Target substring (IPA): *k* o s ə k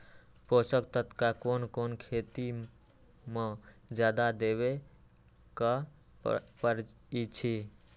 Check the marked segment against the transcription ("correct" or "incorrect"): incorrect